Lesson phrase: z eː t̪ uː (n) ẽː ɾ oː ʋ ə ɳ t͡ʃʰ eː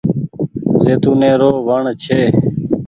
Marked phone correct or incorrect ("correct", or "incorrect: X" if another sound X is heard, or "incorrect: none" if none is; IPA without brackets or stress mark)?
correct